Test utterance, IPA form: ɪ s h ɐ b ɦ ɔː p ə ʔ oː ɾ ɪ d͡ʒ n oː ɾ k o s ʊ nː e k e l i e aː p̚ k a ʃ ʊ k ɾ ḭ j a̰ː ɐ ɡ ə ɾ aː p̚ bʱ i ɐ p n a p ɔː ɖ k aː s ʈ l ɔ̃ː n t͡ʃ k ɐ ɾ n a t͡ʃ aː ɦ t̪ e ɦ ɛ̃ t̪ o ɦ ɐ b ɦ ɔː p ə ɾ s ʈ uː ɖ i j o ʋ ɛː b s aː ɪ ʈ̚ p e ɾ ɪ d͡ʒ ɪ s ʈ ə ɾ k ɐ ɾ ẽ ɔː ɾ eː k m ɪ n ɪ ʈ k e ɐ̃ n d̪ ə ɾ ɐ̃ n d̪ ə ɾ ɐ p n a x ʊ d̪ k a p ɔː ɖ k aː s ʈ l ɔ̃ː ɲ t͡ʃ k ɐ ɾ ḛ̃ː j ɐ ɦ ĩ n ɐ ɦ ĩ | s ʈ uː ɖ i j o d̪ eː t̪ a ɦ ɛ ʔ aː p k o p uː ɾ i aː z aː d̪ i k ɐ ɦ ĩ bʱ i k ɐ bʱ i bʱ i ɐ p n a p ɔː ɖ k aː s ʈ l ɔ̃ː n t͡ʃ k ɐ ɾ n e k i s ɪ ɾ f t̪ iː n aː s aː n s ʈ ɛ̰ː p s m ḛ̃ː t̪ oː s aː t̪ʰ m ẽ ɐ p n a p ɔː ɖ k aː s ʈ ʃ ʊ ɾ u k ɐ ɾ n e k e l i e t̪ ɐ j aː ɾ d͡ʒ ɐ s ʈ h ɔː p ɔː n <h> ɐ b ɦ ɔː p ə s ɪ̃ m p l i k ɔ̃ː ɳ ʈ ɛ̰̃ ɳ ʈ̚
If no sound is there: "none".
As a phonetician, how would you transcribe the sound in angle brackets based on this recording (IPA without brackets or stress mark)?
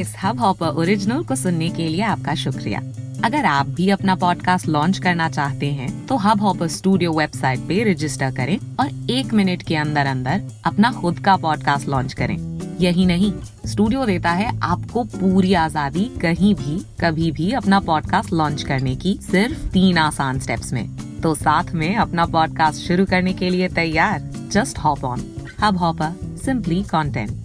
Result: h